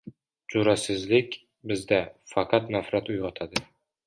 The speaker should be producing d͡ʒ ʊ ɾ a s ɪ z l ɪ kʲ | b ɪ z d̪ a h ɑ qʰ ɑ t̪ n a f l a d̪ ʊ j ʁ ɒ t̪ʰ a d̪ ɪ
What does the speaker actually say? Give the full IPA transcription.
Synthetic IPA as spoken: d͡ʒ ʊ ɾ a s ɪ z l ɪ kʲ | b ɪ z d̪ a f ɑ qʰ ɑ t̪ n a f ɾ a t̪ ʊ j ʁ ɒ t̪ʰ a d̪ ɪ